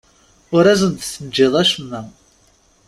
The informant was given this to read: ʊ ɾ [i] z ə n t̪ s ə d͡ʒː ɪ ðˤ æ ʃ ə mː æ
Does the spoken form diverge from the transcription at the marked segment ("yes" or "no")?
yes